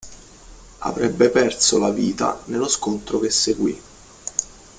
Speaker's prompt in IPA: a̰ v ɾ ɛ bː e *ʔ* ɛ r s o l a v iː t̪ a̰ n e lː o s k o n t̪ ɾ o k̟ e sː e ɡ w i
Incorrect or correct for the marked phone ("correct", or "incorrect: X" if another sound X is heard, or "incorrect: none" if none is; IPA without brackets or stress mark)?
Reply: incorrect: p